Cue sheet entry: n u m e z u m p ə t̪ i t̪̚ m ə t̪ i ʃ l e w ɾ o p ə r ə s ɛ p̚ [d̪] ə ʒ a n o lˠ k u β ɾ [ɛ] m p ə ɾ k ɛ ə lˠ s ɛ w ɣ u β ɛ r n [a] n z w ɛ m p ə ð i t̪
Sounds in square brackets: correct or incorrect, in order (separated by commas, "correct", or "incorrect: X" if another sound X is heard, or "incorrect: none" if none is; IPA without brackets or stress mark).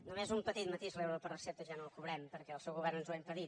incorrect: t̪, correct, incorrect: ə